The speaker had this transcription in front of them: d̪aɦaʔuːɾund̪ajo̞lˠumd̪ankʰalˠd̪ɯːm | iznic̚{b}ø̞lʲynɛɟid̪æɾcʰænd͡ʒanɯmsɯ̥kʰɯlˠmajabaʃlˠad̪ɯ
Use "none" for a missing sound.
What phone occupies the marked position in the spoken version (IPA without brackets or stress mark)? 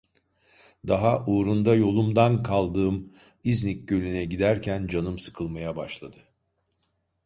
ɟ